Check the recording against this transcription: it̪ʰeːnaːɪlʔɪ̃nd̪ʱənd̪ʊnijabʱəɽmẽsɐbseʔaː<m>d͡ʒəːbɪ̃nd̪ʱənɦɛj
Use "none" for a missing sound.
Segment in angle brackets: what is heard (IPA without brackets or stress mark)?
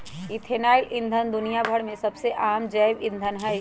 m